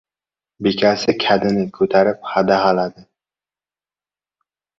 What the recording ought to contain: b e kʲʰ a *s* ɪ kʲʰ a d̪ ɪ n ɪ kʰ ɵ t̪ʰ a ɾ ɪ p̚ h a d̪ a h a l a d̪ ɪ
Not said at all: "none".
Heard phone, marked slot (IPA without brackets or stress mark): s